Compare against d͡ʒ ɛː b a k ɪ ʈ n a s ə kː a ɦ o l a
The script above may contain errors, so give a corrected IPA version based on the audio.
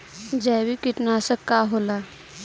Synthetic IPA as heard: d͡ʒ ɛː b i k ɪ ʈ n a s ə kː a ɦ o l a

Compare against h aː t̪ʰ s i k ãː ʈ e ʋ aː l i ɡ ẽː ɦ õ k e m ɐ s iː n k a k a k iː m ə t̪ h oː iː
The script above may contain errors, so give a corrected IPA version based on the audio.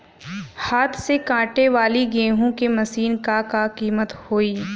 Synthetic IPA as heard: h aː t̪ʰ s e k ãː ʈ e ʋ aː l i ɡ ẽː ɦ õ k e m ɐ s iː n k a k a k iː m ə t̪ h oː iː

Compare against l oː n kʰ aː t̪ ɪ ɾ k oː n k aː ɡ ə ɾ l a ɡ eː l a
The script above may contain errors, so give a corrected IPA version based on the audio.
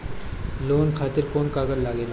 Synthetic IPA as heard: l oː n kʰ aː t̪ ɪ ɾ k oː n k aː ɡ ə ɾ l a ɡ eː l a

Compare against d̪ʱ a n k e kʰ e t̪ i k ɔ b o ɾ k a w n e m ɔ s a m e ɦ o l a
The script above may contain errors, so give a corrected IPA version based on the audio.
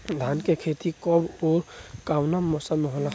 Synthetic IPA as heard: d̪ʱ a n k e kʰ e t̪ i k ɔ b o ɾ k a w n a m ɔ s a m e ɦ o l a

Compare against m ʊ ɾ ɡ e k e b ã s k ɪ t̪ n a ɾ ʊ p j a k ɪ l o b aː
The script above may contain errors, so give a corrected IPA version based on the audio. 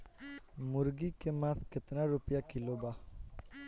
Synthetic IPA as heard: m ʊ ɾ ɡ i k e m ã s k ɪ t̪ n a ɾ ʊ p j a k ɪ l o b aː

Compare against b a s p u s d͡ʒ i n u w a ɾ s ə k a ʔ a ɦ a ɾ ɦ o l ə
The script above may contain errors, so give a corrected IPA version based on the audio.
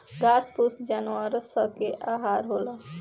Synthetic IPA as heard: ɡ a s p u s d͡ʒ a n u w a ɾ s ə k e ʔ a ɦ a ɾ ɦ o l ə

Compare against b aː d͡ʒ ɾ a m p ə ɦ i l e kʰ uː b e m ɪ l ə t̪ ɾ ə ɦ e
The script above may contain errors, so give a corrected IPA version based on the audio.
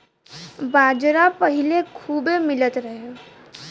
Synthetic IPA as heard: b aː d͡ʒ ɾ a p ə ɦ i l e kʰ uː b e m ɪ l ə t̪ ɾ ə ɦ e

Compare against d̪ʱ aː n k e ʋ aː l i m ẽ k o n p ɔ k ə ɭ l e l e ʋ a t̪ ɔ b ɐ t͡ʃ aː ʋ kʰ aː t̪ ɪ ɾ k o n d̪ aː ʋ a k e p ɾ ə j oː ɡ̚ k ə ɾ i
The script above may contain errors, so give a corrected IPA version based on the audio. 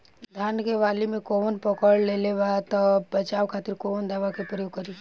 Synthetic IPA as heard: d̪ʱ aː n k e ʋ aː l i m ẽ k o n p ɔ k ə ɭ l e l e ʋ a t̪ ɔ b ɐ t͡ʃ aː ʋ kʰ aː t̪ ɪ ɾ k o n d̪ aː ʋ a k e p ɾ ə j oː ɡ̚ k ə ɾ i

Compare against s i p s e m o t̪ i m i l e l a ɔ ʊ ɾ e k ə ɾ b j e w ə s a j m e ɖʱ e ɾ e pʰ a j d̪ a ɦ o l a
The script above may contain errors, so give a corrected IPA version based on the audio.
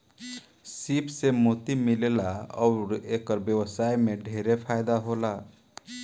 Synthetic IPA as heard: s i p s e m o t̪ i m i l e l a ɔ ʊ ɾ e k ə ɾ b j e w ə s a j m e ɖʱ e ɾ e pʰ a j d̪ a ɦ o l a

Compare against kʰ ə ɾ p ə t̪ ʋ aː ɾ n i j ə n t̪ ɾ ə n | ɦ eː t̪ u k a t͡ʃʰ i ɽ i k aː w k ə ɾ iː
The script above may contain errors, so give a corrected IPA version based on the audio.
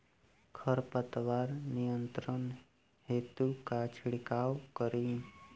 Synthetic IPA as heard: kʰ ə ɾ p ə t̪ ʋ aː ɾ n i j ə n t̪ ɾ ə n | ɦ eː t̪ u k a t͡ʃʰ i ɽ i k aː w k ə ɾ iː

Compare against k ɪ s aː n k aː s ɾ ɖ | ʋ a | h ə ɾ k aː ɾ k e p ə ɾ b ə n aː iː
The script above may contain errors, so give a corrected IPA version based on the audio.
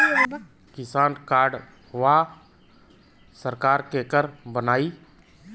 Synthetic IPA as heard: k ɪ s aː n k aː ɾ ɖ | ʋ a | s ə ɾ k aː ɾ k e k ə ɾ b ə n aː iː

